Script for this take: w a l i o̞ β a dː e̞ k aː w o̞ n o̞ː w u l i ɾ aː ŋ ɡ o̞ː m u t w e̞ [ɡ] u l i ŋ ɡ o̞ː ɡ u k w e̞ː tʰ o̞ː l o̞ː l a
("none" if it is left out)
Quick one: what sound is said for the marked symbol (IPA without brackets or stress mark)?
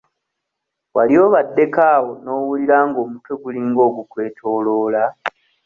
ɡ